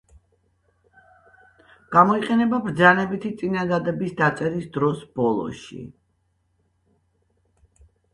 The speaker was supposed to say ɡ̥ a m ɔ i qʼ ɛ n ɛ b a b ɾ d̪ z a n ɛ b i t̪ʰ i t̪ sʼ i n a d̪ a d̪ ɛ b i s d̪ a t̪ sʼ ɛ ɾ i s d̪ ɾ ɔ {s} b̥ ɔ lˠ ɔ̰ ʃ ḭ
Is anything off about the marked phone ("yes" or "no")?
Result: no